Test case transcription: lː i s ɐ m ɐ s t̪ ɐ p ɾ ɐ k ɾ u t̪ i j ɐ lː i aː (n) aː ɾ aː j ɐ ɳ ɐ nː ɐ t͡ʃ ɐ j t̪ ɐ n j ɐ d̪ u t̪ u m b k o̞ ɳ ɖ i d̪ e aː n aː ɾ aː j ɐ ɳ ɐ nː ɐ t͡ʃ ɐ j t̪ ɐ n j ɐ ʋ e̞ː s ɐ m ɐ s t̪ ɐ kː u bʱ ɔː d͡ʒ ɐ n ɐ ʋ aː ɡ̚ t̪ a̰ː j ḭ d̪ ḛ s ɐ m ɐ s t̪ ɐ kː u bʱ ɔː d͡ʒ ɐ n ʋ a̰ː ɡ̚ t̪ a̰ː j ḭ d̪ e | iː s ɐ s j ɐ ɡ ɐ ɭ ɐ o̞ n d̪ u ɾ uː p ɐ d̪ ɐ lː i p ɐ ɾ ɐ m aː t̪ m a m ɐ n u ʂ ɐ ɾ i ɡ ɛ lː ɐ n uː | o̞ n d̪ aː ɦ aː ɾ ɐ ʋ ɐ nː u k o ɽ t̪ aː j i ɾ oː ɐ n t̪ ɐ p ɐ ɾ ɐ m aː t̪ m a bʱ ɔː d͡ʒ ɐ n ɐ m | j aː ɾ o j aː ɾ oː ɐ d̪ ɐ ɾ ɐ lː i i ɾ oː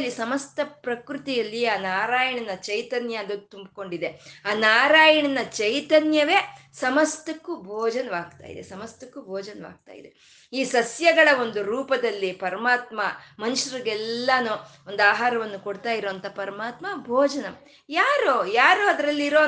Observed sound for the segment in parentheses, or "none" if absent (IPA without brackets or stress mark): n